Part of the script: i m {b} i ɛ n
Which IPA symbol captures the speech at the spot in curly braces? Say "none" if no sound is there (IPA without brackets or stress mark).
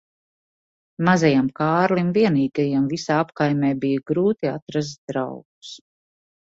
v